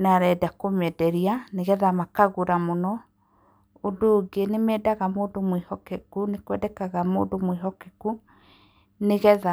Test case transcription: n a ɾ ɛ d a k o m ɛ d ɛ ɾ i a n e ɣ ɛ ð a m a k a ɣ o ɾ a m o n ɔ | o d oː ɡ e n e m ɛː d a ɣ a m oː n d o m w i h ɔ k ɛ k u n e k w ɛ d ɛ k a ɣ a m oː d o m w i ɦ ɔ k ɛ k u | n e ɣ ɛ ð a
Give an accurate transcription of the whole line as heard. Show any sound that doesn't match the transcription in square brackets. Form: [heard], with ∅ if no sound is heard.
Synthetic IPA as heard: n a ɾ ɛ d a k o m ɛ d ɛ ɾ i a n e ɣ ɛ ð a m a k a ɣ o ɾ a m o n ɔ | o d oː ɡ e n e m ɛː d a ɣ a m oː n d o m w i h ɔ k ɛ k u n e k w ɛ d ɛ k a ɣ a m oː d o m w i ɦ ɔ k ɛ k u | n e ɣ ɛ ð a